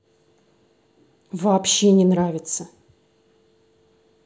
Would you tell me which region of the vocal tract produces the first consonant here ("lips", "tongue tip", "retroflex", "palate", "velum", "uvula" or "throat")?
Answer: lips